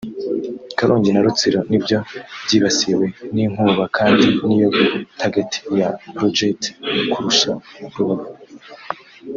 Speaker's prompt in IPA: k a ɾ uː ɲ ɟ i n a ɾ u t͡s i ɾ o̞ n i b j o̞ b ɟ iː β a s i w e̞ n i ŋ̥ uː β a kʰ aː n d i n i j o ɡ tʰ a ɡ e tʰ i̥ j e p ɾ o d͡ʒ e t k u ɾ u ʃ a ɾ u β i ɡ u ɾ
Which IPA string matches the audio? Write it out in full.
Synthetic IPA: k a ɾ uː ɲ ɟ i n a ɾ u t͡s i ɾ o̞ n i b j o̞ b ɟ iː β a s i w e̞ n i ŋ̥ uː β a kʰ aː n d i n i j o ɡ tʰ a ɡ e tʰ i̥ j a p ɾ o d͡ʒ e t k u ɾ u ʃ a ɾ u β a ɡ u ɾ